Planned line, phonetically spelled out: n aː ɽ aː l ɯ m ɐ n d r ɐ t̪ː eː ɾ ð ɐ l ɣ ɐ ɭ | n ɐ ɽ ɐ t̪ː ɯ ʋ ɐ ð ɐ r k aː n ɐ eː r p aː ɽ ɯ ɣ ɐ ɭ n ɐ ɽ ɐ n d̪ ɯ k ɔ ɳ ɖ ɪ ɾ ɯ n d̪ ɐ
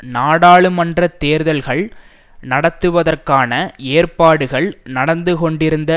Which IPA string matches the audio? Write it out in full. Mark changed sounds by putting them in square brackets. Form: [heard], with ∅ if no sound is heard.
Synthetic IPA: n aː ɽ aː [ɭ] ɯ m ɐ n d r ɐ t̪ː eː ɾ ð ɐ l ɣ ɐ ɭ | n ɐ ɽ ɐ t̪ː ɯ ʋ ɐ ð ɐ r k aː n ɐ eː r p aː ɽ ɯ ɣ ɐ ɭ n ɐ ɽ ɐ n d̪ ɯ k ɔ ɳ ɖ ɪ ɾ ɯ n d̪ ɐ